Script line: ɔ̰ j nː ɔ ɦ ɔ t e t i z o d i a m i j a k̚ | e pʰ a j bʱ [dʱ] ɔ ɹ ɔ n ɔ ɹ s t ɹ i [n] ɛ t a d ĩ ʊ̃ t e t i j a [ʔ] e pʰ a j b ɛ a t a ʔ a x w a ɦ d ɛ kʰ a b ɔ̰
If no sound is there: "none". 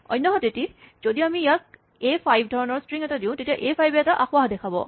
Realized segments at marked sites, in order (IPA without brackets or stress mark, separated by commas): dʱ, ŋ, ʔ